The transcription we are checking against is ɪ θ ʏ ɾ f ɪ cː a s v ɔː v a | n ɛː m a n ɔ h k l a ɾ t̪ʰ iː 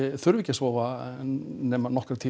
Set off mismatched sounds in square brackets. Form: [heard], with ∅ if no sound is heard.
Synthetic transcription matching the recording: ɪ θ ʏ ɾ [v] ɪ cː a s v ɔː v a | n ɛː m a n ɔ h k [ɾ] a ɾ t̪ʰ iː